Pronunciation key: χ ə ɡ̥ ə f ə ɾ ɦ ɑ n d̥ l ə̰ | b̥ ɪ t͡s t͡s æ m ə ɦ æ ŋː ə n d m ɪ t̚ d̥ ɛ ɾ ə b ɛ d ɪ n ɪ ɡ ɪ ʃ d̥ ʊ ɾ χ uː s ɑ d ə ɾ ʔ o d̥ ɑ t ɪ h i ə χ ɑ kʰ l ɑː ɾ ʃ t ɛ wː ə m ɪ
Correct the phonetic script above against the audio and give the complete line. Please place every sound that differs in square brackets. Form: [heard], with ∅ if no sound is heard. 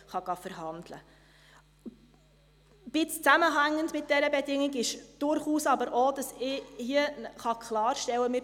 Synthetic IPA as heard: χ [ɑ] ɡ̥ [ɑ] f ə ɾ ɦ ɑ n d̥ l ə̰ | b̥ ɪ t͡s t͡s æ m ə ɦ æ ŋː ə n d m ɪ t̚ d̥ ɛ ɾ ə b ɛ d ɪ [ŋ] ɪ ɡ ɪ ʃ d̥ ʊ ɾ χ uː s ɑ [b] ə ɾ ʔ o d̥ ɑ [s] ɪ h i ə χ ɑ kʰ l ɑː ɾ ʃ t ɛ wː ə m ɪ